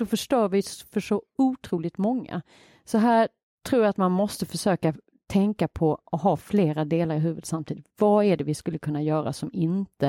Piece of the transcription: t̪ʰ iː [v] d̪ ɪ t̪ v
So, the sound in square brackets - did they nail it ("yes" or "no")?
no